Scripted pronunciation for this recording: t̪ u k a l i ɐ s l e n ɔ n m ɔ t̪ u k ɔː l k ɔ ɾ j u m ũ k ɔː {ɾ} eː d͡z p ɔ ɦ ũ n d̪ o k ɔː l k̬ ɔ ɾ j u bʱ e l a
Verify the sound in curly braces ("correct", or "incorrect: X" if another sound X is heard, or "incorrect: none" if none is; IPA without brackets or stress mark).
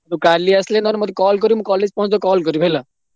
incorrect: l